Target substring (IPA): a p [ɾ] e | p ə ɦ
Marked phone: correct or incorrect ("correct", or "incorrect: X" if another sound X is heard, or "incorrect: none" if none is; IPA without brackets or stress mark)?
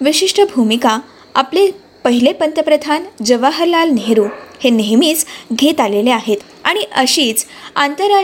incorrect: l